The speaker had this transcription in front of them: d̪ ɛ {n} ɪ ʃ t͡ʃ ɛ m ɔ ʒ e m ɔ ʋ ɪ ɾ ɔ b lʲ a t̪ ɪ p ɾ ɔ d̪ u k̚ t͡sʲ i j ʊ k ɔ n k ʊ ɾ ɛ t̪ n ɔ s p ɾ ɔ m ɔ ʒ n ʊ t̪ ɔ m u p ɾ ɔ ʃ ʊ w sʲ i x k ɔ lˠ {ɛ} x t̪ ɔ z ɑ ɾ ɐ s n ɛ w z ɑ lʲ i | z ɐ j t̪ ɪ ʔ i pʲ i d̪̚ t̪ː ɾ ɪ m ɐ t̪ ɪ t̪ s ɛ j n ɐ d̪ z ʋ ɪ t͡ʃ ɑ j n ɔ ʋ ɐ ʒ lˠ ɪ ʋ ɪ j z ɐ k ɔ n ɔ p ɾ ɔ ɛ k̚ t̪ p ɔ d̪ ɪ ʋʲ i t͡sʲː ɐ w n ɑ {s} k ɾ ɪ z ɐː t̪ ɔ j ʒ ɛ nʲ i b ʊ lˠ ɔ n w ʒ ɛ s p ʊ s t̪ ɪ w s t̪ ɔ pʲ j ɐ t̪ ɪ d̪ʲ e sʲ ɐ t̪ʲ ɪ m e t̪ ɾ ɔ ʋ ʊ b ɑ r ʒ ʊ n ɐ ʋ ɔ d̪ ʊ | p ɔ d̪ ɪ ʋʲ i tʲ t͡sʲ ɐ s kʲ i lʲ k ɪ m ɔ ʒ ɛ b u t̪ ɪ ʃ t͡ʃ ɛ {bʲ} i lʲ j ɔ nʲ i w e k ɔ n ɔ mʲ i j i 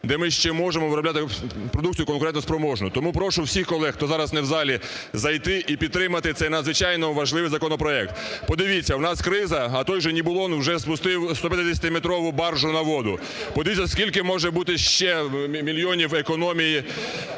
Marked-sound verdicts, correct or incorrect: incorrect, correct, correct, incorrect

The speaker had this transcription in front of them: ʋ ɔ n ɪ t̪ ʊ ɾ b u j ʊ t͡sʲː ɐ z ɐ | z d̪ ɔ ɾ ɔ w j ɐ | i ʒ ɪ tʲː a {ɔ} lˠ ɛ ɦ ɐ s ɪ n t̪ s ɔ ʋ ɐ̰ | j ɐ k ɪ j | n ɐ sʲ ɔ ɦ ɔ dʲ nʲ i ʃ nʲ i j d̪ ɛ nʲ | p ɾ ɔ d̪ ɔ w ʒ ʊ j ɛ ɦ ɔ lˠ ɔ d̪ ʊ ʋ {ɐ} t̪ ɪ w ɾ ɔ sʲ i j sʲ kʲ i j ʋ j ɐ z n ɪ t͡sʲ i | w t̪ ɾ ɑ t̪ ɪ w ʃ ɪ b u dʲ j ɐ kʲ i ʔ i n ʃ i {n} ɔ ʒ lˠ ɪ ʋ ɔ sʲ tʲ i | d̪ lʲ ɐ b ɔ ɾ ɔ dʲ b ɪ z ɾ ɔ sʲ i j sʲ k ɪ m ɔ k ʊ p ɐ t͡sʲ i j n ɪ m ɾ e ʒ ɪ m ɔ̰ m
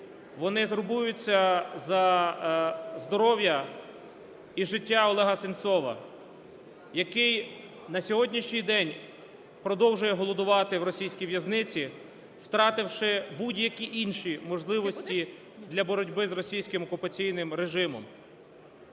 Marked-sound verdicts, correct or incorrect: correct, incorrect, incorrect

